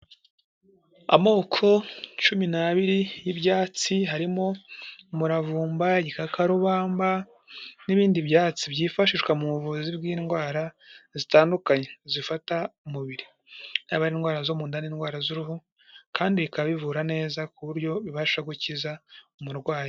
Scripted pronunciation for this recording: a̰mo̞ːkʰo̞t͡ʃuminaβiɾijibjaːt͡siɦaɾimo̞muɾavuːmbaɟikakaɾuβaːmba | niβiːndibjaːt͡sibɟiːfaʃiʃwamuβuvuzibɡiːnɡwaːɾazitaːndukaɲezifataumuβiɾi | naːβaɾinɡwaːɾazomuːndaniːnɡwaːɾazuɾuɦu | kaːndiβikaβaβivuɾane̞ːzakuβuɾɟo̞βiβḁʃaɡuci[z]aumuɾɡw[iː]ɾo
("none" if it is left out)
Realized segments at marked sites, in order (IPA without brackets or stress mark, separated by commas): z, aː